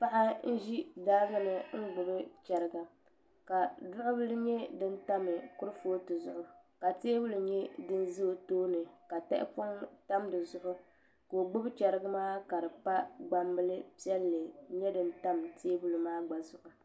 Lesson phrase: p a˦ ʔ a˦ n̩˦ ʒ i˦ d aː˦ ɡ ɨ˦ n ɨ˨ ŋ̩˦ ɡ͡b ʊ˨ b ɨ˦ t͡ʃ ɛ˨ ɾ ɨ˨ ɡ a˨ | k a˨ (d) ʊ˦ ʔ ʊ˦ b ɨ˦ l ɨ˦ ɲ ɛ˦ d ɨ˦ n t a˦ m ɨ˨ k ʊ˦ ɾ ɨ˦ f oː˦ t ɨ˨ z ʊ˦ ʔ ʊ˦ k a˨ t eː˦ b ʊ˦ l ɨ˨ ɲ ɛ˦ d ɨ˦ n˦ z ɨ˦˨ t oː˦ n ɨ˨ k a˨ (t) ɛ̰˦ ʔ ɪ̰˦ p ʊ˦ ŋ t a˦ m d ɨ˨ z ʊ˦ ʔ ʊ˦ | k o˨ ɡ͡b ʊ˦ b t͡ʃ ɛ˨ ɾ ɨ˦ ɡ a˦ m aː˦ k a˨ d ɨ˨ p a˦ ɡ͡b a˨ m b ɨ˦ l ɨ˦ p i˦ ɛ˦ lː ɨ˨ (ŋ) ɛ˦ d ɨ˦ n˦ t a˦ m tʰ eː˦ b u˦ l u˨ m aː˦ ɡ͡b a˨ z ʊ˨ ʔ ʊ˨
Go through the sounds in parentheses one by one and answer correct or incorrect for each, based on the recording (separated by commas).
correct, correct, incorrect